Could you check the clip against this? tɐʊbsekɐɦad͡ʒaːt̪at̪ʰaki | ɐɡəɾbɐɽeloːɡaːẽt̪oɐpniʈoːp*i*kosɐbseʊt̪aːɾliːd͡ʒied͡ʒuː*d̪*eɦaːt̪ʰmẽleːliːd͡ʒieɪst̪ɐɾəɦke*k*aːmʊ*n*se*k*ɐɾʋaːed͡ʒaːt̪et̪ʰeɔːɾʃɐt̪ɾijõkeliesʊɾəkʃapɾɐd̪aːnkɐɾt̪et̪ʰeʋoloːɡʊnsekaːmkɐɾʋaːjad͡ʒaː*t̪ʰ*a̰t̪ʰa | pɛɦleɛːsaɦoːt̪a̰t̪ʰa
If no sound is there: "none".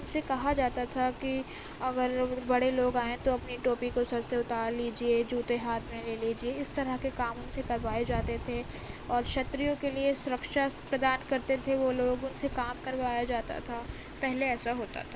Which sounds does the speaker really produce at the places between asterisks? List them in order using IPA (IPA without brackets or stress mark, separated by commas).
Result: i, t̪, k, n, k, t̪